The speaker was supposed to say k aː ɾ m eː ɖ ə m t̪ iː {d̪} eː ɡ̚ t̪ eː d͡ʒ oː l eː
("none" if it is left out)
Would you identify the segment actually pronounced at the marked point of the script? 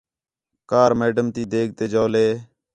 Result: d̪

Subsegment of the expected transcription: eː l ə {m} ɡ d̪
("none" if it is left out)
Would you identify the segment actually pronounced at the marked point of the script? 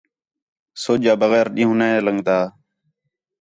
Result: ŋ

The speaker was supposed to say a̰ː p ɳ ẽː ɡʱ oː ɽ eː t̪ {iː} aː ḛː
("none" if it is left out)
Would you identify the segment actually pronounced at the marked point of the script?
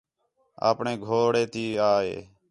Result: iː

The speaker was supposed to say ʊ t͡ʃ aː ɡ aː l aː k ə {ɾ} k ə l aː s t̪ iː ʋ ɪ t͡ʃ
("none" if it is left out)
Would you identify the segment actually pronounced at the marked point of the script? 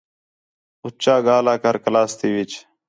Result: ɾ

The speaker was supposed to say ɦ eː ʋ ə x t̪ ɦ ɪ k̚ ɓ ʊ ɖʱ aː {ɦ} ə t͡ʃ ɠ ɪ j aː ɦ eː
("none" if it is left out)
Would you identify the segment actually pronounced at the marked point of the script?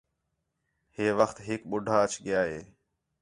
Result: none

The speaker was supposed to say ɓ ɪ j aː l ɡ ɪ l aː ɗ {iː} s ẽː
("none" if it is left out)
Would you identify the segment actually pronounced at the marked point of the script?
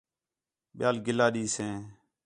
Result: iː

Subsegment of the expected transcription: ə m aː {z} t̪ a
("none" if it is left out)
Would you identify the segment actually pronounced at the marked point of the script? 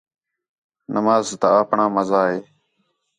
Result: z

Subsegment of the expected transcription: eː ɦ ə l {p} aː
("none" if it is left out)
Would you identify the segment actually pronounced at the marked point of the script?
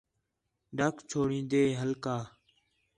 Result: k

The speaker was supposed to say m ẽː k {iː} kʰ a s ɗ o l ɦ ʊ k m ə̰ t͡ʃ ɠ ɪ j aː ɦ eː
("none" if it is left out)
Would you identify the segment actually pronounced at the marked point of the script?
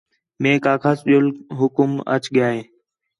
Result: aː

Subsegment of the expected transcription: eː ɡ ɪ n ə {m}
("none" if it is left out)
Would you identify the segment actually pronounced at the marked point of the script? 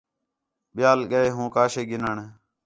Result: ɳ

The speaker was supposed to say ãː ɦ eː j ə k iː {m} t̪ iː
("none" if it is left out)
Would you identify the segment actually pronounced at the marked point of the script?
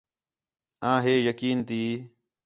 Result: n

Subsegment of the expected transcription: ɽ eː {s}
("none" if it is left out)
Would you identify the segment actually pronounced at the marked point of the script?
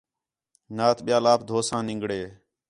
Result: none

